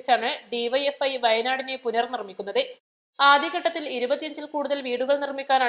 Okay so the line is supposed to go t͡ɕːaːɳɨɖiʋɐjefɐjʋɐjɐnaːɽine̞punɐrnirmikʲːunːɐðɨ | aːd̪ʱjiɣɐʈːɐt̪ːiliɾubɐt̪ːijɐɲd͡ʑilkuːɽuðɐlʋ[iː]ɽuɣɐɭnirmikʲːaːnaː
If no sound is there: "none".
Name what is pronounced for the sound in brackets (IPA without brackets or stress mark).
iː